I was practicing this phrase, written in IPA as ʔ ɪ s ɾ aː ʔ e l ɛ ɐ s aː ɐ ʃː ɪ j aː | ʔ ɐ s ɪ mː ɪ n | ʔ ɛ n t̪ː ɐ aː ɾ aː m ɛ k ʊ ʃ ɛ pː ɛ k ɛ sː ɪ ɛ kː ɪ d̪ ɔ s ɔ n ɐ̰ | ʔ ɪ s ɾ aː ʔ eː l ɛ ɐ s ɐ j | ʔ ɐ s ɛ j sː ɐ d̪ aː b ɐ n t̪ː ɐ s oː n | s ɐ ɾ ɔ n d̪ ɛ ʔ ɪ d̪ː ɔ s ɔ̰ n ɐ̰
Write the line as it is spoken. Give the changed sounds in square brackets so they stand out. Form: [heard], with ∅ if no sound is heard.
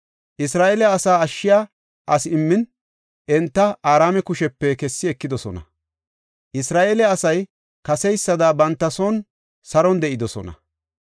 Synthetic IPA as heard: ʔ ɪ s ɾ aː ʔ e l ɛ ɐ s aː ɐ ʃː ɪ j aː | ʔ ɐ s ɪ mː ɪ n | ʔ ɛ n t̪ː ɐ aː ɾ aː m ɛ k ʊ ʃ ɛ pː ɛ k ɛ sː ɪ ɛ kː ɪ d̪ ɔ s ɔ n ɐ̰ | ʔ ɪ s ɾ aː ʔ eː l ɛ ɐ s ɐ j | [k] ɐ s ɛ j sː ɐ d̪ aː b ɐ n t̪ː ɐ s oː n | s ɐ ɾ ɔ n d̪ ɛ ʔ ɪ [d̪] ɔ s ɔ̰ n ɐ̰

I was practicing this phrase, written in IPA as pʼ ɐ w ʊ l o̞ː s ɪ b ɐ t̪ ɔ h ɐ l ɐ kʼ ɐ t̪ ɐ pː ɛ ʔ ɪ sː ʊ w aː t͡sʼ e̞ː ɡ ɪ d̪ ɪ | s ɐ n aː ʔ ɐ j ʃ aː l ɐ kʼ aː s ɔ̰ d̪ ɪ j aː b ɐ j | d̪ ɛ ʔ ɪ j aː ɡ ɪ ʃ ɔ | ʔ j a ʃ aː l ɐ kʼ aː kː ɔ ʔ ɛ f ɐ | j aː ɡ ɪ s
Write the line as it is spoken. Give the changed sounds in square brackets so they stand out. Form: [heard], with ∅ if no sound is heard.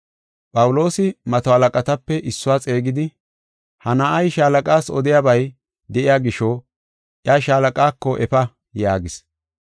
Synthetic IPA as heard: pʼ ɐ w ʊ l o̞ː s ɪ [m] ɐ t̪ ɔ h ɐ l ɐ kʼ ɐ t̪ ɐ pː ɛ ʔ ɪ sː ʊ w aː t͡sʼ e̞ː ɡ ɪ d̪ ɪ | [h] ɐ n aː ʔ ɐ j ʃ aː l ɐ kʼ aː s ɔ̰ d̪ ɪ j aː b ɐ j | d̪ ɛ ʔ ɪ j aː ɡ ɪ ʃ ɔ | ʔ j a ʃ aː l ɐ kʼ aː kː ɔ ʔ ɛ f ɐ | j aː ɡ ɪ s

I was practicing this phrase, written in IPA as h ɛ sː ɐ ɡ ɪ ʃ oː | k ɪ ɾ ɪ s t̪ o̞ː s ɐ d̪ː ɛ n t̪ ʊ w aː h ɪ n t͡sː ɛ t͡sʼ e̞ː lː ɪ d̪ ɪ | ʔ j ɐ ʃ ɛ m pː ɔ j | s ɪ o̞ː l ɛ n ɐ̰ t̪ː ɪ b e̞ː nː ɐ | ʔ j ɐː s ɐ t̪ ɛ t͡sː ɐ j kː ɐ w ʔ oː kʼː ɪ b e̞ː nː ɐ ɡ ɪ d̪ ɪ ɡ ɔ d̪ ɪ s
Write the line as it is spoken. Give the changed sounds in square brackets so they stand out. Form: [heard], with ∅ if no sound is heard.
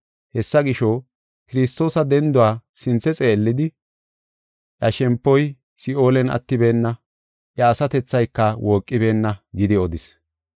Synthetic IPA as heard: h ɛ sː ɐ ɡ ɪ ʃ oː | k ɪ ɾ ɪ s t̪ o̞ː s ɐ [d̪] ɛ n [d̪] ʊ w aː [s] ɪ n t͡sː ɛ t͡sʼ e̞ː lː ɪ d̪ ɪ | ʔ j ɐ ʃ ɛ m pː ɔ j | s ɪ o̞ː l ɛ n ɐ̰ t̪ː ɪ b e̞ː nː ɐ | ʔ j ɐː s ɐ t̪ ɛ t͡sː ɐ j kː ɐ w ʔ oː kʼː ɪ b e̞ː nː ɐ ɡ ɪ d̪ ɪ [∅] ɔ d̪ ɪ s

